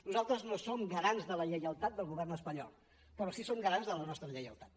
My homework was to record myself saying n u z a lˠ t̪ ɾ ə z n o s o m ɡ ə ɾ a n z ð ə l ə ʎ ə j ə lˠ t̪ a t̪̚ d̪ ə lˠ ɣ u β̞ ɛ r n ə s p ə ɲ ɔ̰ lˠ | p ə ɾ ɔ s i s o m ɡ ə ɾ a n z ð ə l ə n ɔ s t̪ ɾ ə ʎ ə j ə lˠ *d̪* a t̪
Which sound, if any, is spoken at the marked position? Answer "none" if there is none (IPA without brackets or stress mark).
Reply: t̪